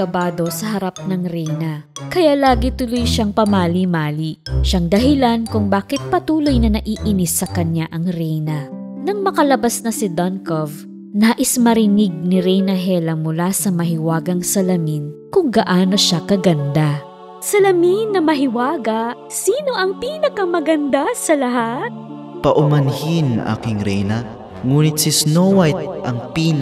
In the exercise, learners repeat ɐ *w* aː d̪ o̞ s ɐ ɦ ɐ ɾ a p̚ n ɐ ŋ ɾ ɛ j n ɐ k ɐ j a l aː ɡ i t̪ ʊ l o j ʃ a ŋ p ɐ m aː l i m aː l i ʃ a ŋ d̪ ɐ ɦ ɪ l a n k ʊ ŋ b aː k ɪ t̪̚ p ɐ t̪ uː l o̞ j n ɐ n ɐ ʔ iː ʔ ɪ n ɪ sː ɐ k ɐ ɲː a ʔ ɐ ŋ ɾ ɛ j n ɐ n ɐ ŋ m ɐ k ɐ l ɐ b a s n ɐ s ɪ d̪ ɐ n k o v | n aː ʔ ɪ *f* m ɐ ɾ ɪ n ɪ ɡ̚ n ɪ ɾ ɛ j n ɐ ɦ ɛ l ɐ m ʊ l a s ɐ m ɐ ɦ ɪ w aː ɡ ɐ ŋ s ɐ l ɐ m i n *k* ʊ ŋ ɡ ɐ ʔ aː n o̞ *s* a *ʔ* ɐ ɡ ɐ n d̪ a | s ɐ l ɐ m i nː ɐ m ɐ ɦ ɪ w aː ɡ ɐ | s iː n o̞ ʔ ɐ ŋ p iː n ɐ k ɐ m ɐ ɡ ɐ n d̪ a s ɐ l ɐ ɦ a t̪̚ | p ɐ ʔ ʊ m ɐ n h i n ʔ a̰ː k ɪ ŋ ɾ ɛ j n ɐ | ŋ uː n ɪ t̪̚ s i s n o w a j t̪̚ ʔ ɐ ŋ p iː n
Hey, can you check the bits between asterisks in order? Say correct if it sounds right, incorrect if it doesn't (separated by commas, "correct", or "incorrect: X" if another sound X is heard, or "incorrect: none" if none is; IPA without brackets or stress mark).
incorrect: b, incorrect: s, correct, incorrect: ʃ, incorrect: k